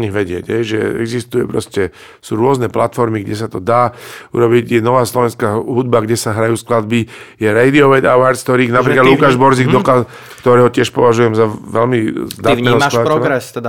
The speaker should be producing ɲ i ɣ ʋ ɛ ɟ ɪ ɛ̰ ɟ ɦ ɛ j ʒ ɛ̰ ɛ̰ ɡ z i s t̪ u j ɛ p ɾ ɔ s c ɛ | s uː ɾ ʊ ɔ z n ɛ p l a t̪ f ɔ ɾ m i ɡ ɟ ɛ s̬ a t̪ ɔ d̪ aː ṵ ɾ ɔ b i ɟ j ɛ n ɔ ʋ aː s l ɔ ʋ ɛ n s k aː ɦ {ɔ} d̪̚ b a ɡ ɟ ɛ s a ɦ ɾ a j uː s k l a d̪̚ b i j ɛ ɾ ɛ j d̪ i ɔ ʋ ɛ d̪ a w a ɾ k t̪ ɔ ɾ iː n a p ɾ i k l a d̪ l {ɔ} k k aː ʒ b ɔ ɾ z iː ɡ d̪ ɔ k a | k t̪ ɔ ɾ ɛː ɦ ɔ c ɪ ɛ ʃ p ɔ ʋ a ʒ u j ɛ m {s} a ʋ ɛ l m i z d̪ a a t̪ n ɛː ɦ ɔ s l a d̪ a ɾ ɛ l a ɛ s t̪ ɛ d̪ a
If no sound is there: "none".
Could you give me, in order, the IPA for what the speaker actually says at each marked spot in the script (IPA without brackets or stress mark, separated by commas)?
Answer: u, u, z